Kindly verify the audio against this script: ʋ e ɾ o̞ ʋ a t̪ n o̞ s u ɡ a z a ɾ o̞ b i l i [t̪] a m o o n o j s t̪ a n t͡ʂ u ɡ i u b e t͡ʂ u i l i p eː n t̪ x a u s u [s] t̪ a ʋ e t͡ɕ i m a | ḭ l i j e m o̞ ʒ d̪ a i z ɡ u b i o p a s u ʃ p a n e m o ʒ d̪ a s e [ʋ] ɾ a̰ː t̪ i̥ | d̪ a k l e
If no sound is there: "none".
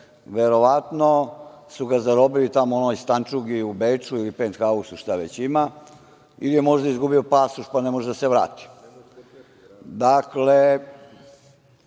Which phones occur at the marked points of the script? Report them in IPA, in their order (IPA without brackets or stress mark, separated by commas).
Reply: t̪, ʃ, ʋ